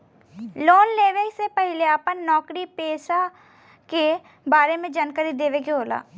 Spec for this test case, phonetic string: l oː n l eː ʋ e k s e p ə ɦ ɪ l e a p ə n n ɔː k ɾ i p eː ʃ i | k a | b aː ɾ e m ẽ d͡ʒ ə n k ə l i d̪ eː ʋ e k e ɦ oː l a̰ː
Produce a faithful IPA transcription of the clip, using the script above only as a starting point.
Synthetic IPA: l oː n l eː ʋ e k s e p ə ɦ ɪ l e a p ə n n ɔː k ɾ i p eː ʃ a | k e | b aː ɾ e m ẽ d͡ʒ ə n k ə ɾ i d̪ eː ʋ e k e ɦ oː l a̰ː

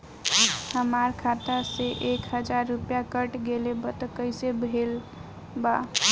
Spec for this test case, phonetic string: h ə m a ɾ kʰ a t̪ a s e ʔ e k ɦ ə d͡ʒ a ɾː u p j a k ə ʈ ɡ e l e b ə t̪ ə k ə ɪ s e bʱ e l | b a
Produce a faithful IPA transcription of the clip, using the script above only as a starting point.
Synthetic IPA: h ə m a ɾ kʰ a t̪ a s e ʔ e k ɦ ə d͡ʒ a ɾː u p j a k ə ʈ ɡ e l e b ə t̪ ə k ə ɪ s e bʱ e l | b a

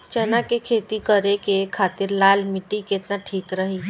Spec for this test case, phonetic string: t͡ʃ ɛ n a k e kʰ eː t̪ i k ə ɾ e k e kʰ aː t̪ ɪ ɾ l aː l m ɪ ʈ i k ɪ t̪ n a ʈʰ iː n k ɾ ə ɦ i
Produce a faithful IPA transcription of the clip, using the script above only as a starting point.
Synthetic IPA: t͡ʃ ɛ n a k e kʰ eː t̪ i k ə ɾ e k e kʰ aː t̪ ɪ ɾ l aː l m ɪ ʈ i k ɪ t̪ n a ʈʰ iː k ɾ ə ɦ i

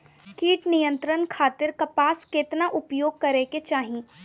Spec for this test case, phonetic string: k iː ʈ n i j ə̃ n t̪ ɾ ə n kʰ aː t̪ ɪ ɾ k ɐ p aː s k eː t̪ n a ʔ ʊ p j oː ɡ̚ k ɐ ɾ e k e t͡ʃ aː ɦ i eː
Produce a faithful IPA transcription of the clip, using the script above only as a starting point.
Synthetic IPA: k iː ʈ n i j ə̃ n t̪ ɾ ə n kʰ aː t̪ ɪ ɾ k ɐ p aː s k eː t̪ n a ʔ ʊ p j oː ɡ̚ k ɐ ɾ e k e t͡ʃ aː ɦ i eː

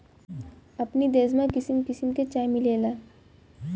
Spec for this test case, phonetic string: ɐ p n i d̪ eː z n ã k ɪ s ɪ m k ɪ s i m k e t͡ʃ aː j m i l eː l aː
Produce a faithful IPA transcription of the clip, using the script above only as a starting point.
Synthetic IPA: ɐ p n i d̪ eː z m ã k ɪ s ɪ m k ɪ s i m k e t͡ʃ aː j m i l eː l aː

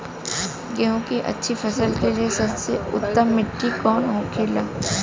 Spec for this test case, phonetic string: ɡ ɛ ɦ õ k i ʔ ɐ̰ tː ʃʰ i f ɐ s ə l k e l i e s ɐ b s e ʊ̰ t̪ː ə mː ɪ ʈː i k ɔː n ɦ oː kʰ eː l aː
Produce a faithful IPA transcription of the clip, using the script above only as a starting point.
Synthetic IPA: ɡ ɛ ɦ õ k i ʔ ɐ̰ tː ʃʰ i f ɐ s ə l k e l i e s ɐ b s e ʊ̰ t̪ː ə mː ɪ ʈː i k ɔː n ɦ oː kʰ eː l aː

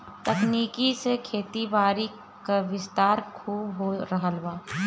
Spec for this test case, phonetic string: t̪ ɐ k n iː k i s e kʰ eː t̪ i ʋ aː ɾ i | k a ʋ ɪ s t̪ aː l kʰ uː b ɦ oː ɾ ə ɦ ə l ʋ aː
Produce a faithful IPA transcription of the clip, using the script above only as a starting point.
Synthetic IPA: t̪ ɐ k n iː k i s e kʰ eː t̪ i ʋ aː ɾ i | k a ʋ ɪ s t̪ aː ɾ kʰ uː b ɦ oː ɾ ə ɦ ə l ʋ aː

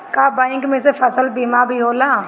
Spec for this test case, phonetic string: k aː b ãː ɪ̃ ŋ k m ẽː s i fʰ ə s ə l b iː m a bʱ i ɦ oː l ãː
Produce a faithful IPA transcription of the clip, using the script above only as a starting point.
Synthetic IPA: k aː b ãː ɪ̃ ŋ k m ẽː s e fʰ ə s ə l b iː m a bʱ i ɦ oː l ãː

